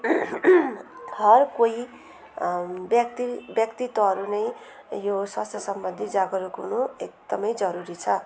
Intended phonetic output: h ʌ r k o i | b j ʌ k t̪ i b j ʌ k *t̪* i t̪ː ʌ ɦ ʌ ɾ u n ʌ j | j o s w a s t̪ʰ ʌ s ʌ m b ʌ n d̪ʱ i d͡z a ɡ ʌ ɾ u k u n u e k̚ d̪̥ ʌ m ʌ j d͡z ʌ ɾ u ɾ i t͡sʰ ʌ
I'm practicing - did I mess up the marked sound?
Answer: no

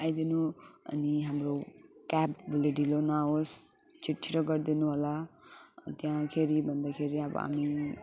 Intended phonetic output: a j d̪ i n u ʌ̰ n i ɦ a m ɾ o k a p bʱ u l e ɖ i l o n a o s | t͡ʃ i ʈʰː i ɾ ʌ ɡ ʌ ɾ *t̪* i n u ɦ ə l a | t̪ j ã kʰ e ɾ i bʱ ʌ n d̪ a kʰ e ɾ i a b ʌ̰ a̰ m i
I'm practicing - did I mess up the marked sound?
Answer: yes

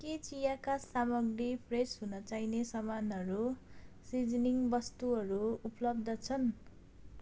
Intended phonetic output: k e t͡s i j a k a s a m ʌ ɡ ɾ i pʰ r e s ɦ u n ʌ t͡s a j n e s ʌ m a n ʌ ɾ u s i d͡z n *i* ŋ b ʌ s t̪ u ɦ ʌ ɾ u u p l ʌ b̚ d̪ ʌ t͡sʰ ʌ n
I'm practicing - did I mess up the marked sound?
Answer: no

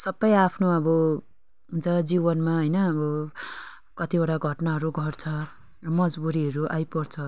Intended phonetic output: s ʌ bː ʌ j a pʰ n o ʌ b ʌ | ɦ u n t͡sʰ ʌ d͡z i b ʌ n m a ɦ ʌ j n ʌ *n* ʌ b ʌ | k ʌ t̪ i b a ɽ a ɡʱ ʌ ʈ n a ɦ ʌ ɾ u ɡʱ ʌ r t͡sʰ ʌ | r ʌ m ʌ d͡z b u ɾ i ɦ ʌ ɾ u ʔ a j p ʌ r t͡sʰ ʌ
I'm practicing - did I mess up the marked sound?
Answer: yes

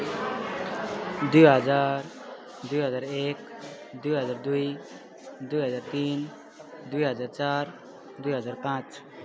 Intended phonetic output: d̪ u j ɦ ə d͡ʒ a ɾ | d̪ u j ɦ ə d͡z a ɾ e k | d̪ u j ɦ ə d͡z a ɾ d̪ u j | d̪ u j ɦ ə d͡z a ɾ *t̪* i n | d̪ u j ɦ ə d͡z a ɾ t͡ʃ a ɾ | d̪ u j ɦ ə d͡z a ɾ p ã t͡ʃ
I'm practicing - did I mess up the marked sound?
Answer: no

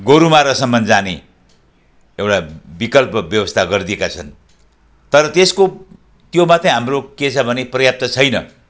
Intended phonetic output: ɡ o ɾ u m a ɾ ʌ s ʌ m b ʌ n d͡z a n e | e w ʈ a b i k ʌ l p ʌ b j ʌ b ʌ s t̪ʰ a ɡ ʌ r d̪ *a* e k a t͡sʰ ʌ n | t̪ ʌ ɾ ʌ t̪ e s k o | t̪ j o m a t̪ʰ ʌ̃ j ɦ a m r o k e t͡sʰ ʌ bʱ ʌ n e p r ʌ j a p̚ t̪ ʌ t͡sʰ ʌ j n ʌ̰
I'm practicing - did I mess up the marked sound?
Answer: yes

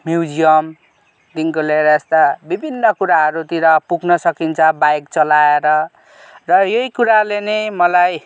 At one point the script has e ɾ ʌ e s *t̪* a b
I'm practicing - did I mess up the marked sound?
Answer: no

